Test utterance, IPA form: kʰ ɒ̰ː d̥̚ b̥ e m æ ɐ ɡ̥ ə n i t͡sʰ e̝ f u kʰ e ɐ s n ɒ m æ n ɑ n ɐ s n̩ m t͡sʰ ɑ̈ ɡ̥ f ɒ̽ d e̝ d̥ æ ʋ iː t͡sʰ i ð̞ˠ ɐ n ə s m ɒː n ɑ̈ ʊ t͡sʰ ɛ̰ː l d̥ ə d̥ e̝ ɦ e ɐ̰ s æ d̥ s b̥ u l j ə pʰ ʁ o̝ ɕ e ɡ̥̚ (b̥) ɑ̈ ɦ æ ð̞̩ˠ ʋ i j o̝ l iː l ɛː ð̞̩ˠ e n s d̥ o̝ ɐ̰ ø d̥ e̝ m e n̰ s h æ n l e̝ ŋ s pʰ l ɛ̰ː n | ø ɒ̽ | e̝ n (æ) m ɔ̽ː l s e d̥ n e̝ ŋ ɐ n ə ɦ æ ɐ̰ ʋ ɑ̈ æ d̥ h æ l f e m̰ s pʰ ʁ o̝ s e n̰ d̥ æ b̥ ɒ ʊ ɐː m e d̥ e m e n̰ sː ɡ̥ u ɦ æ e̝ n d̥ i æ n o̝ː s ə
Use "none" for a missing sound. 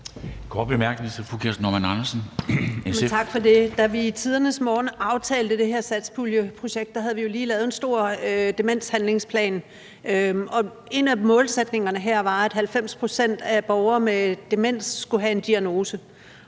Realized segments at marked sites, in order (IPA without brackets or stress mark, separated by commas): d̥, æ